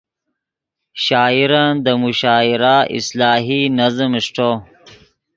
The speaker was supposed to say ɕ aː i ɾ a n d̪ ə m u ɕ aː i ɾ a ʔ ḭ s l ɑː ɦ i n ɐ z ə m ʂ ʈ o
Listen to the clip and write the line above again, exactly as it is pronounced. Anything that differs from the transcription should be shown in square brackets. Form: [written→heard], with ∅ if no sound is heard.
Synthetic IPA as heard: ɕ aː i ɾ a n d̪ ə m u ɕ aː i ɾ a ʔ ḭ s l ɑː ɦ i n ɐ z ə m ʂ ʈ o